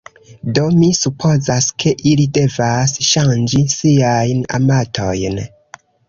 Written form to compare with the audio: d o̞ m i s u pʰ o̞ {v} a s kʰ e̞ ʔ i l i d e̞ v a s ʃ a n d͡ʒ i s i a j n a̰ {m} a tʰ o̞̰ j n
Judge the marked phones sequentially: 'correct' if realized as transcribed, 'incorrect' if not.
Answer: incorrect: z, correct

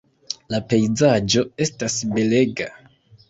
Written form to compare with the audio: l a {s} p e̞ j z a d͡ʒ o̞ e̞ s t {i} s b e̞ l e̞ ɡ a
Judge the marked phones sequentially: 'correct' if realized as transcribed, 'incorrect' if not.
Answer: incorrect: none, incorrect: a

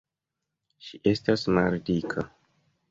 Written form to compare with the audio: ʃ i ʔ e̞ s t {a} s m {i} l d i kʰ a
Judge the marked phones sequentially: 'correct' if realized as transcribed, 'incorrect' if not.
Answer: correct, incorrect: a

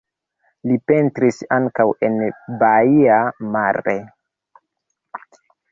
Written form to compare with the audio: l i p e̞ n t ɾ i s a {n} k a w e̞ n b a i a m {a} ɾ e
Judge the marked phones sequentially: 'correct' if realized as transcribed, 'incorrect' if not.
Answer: incorrect: ŋ, correct

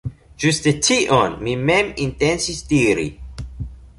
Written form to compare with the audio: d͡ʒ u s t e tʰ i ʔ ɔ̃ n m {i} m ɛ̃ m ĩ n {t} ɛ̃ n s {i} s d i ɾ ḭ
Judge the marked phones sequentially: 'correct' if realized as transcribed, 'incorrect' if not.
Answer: correct, correct, correct

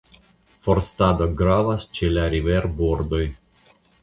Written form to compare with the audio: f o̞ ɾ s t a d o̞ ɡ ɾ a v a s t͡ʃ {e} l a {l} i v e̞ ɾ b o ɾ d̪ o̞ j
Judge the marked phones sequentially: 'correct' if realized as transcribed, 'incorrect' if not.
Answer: correct, incorrect: ɾ

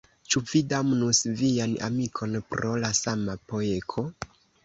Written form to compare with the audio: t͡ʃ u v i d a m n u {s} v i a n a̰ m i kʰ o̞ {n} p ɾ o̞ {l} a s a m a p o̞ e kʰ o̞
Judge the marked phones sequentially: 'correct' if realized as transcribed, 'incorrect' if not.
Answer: correct, correct, correct

